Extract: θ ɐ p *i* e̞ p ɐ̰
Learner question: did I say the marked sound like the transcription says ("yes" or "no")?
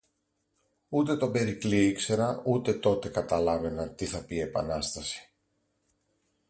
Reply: yes